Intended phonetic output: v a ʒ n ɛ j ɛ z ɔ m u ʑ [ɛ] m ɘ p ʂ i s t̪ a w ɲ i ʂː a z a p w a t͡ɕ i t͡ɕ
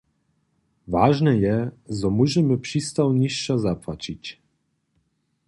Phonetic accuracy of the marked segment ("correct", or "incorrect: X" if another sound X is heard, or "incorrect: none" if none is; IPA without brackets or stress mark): correct